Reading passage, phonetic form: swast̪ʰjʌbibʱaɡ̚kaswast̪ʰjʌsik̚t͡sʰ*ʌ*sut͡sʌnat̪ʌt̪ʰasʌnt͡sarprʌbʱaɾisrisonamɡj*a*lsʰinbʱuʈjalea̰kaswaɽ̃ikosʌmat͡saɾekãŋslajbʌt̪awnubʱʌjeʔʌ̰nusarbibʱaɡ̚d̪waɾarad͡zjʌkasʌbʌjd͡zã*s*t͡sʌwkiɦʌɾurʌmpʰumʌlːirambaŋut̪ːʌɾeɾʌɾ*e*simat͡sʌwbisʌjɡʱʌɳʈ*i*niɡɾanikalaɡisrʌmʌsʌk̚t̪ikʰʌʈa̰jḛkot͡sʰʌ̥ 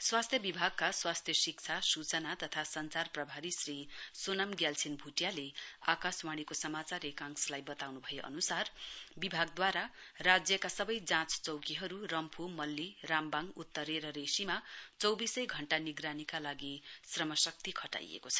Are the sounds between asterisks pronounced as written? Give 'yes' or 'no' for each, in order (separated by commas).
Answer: no, yes, no, yes, no